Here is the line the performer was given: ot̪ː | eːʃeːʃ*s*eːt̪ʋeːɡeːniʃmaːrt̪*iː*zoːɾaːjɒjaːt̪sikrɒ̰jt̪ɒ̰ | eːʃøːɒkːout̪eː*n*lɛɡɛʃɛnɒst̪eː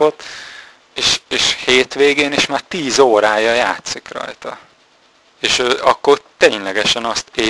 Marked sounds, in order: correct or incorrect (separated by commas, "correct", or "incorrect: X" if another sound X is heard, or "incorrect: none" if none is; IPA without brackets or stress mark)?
incorrect: h, correct, incorrect: ɲ